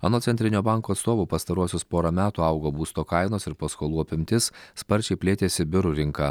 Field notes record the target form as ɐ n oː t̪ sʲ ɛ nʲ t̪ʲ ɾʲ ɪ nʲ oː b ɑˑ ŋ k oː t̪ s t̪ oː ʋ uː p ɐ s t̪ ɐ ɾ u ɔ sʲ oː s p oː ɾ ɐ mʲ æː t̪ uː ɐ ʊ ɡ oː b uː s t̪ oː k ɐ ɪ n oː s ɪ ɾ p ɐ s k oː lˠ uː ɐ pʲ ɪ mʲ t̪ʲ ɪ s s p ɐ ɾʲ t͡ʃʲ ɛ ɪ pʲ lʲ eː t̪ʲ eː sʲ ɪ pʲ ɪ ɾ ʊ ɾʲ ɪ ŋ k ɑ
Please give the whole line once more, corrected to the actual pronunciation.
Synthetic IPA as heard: ɐ n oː t̪ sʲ ɛ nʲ t̪ʲ ɾʲ ɪ nʲ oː b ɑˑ ŋ k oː t̪ s t̪ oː ʋ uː p ɐ s t̪ ɐ ɾ u ɔ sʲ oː s p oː ɾ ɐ mʲ æː t̪ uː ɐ ʊ ɡ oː b uː s t̪ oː k ɐ ɪ n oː s ɪ ɾ p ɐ s k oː lˠ uː ɐ pʲ ɪ mʲ t̪ʲ ɪ s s p ɐ ɾʲ t͡ʃʲ ɛ ɪ pʲ lʲ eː t̪ʲ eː sʲ ɪ bʲ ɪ ɾ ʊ ɾʲ ɪ ŋ k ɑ